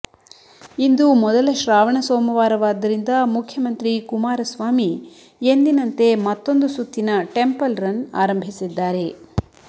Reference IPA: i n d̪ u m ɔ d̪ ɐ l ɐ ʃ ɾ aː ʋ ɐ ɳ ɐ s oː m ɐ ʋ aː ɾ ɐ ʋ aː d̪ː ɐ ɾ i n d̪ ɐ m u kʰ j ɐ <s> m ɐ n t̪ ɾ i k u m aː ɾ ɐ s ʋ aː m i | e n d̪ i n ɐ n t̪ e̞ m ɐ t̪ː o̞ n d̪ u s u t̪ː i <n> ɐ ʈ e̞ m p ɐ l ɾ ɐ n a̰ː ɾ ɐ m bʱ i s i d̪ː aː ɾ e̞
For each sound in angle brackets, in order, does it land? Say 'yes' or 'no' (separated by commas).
no, yes